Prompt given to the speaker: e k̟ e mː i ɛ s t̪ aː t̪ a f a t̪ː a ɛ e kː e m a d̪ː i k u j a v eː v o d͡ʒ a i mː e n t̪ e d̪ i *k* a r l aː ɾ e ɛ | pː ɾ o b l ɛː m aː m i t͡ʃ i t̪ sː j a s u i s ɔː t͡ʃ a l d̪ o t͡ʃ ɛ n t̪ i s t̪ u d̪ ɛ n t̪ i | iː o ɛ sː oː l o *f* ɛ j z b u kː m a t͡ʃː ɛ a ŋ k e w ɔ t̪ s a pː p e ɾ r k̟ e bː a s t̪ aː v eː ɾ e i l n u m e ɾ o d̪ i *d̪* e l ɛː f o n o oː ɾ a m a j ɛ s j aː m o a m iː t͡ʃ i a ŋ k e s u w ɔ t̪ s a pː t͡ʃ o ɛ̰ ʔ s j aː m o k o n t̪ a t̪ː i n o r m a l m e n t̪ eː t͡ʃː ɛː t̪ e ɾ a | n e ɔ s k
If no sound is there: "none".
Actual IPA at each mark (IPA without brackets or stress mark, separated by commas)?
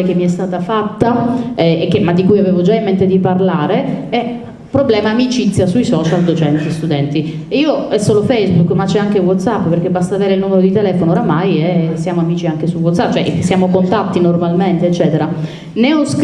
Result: p, f, t̪